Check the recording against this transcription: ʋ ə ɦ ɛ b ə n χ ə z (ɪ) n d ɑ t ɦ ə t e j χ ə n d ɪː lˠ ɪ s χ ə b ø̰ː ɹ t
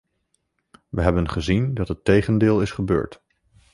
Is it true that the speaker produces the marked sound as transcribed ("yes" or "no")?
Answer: no